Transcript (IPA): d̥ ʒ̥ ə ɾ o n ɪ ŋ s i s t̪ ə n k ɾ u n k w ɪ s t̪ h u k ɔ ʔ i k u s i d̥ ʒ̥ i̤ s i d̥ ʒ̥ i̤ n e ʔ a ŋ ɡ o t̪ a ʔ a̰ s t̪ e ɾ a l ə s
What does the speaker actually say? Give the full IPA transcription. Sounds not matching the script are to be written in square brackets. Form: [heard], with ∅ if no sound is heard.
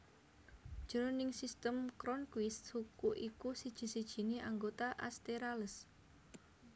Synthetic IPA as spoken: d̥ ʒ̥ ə ɾ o n ɪ ŋ s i s t̪ ə [m] k ɾ [ɔ] n k w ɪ s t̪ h u k [u] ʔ i k u s i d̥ ʒ̥ i̤ s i d̥ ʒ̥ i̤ n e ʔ a ŋ ɡ o t̪ a ʔ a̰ s t̪ e ɾ a l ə s

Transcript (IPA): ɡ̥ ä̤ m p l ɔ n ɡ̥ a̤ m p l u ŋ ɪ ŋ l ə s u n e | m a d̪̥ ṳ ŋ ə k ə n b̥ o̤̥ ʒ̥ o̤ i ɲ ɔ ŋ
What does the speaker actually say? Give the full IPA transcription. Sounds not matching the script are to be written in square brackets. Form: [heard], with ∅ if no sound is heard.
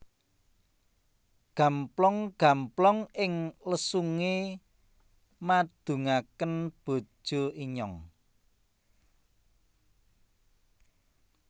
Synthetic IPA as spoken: ɡ̥ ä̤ m p l ɔ [ŋ] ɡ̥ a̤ m p l [ɔ] ŋ ɪ ŋ l ə s u [ŋ] e | m a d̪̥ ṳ ŋ [a] k ə n b̥ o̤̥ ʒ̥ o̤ i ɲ ɔ ŋ

